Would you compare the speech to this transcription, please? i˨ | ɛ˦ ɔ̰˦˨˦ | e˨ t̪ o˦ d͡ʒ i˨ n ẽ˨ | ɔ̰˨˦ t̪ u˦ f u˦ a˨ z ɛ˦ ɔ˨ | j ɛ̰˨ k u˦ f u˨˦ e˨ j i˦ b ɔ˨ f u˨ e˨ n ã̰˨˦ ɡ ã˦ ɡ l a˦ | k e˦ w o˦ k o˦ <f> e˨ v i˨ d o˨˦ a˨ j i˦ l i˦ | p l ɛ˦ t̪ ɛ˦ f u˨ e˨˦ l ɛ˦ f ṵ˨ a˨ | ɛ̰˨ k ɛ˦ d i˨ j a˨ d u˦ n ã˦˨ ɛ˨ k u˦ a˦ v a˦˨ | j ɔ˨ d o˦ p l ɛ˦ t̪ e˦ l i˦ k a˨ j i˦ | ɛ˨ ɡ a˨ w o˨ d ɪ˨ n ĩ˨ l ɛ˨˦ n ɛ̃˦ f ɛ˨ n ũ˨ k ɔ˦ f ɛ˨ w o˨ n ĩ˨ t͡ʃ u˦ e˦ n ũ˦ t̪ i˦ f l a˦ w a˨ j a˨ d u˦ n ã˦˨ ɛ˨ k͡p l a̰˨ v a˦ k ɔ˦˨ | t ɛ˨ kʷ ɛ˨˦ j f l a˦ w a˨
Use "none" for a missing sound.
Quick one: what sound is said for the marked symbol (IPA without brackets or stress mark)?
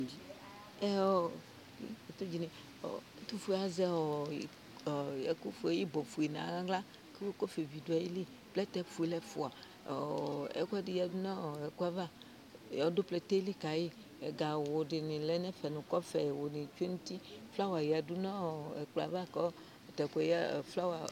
f